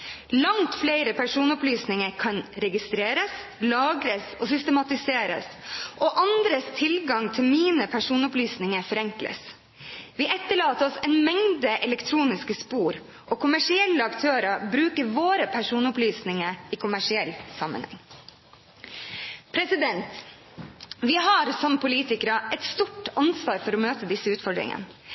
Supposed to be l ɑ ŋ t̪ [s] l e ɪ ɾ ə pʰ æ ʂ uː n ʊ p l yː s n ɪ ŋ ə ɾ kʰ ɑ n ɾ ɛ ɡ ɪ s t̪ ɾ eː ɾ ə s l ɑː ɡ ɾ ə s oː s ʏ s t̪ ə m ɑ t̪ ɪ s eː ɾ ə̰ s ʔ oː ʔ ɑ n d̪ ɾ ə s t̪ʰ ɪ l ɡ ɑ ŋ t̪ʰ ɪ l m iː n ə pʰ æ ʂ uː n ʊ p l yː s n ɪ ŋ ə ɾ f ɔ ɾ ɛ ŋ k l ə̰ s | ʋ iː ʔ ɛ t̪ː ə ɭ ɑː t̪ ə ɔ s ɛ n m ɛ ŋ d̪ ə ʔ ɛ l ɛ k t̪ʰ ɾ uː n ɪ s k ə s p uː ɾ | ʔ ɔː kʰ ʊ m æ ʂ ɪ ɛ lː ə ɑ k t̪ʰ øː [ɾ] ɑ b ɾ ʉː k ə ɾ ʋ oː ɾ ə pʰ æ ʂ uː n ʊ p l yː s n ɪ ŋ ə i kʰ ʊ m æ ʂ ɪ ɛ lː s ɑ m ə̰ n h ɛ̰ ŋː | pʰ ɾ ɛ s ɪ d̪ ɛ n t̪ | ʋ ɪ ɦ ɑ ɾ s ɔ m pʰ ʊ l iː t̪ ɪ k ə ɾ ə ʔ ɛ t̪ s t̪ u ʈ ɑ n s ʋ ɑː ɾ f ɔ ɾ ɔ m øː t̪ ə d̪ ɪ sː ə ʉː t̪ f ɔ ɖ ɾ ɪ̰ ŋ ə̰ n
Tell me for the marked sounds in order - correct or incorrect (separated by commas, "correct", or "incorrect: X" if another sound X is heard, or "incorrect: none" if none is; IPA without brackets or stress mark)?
incorrect: f, correct